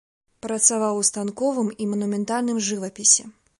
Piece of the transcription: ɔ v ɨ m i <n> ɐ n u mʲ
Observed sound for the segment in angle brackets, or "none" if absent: m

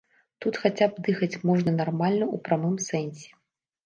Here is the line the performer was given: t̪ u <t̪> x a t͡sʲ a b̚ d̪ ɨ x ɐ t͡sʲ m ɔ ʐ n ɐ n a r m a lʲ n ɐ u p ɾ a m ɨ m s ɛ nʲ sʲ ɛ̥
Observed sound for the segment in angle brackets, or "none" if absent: t̪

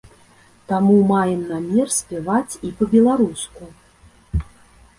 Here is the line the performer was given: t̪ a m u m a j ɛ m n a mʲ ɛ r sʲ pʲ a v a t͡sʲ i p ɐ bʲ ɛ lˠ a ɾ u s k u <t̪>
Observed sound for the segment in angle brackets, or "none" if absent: none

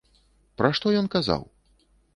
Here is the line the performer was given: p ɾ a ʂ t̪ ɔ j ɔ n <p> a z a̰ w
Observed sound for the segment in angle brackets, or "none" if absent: k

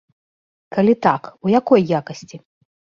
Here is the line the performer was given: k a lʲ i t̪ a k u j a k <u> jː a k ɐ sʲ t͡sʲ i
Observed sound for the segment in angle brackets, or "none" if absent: ɔ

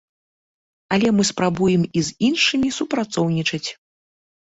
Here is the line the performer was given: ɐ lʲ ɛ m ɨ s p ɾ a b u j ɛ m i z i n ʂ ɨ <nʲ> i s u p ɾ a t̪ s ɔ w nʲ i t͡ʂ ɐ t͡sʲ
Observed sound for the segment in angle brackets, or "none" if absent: mʲ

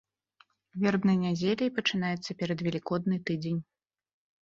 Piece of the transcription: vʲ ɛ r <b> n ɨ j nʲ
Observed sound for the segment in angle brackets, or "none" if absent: b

